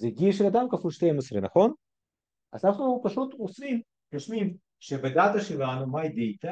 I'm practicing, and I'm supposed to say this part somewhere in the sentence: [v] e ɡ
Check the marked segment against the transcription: incorrect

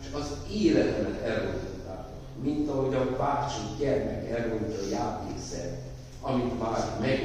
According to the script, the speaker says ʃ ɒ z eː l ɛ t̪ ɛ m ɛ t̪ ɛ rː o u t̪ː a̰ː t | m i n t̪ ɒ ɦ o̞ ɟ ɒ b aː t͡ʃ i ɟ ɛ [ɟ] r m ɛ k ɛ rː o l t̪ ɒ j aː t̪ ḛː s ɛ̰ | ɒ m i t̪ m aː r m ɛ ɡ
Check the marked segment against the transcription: incorrect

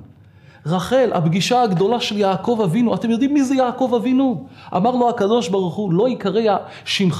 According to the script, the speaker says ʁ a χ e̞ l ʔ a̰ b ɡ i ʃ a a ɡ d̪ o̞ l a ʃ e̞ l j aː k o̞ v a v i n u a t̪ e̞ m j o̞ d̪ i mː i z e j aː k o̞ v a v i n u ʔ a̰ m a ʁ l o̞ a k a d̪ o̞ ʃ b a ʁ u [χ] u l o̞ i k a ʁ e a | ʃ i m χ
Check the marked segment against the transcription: correct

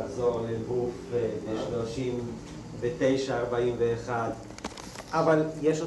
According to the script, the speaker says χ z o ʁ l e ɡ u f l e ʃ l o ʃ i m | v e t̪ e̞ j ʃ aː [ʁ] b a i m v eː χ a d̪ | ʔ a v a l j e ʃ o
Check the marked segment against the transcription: correct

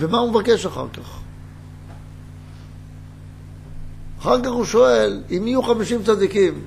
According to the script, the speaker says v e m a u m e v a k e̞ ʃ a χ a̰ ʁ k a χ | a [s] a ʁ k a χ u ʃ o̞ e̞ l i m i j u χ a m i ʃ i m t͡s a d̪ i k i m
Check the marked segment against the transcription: incorrect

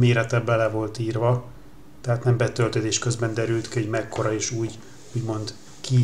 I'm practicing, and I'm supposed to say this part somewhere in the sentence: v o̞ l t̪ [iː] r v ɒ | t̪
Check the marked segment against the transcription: correct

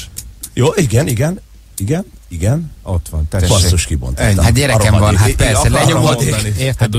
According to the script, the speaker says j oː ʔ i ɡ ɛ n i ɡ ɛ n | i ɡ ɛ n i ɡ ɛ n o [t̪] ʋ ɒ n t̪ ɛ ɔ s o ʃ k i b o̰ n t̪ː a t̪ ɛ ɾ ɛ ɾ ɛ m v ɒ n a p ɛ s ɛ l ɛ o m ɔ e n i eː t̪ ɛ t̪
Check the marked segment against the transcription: correct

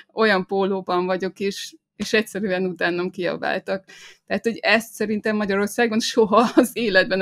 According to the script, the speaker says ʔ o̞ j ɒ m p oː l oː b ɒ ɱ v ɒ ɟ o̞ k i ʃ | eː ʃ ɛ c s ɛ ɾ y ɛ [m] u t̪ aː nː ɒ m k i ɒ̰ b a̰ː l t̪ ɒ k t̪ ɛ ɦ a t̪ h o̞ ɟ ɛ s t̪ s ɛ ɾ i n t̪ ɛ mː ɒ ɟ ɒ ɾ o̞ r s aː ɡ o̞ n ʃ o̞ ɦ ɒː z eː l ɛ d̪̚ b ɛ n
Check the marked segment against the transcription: incorrect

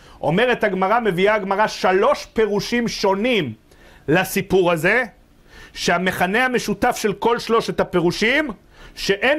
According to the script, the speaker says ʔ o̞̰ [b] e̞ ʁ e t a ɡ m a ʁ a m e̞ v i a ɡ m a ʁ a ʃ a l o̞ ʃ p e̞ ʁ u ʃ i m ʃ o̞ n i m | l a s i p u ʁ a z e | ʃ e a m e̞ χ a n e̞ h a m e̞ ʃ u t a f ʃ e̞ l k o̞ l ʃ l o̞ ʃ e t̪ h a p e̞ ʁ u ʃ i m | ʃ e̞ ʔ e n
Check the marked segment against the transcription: incorrect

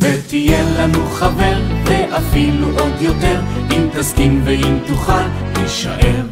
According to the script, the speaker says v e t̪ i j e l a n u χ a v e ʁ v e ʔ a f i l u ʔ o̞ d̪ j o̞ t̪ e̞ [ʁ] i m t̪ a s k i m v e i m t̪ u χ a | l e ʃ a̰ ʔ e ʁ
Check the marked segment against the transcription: correct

